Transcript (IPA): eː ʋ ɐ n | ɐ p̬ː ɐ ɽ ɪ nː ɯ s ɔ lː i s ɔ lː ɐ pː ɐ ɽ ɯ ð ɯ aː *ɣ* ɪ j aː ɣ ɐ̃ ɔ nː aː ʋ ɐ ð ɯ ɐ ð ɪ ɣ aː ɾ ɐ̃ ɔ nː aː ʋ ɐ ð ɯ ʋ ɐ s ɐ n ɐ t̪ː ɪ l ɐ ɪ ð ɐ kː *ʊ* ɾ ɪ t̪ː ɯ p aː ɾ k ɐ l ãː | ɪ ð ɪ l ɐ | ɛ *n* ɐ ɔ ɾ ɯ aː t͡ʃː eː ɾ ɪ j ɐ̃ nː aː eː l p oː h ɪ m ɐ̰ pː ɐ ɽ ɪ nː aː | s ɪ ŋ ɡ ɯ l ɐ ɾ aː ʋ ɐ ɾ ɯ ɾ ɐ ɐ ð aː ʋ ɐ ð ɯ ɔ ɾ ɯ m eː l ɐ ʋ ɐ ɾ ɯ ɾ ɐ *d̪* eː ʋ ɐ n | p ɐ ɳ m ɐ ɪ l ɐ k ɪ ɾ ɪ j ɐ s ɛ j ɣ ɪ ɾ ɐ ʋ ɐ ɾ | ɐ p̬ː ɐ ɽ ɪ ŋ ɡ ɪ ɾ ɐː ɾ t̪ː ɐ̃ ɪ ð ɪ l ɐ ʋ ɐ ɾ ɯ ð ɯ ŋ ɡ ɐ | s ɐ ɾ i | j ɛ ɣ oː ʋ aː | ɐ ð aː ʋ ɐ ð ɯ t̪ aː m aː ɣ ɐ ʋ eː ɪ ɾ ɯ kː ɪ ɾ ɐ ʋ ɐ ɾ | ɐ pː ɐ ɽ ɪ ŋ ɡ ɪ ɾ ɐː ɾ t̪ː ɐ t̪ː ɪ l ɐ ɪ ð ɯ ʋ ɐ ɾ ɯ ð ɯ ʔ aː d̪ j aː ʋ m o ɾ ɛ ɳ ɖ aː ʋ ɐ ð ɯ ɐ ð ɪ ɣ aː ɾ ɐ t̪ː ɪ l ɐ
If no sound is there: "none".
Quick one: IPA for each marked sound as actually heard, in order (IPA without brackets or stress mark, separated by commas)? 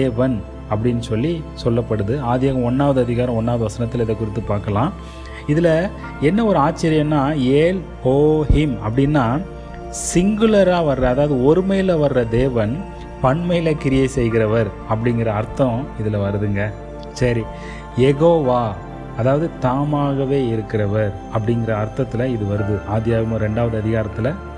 ð, ʊ, nː, d̪